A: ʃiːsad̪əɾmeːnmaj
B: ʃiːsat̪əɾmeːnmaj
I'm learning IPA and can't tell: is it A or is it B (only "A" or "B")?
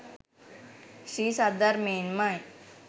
A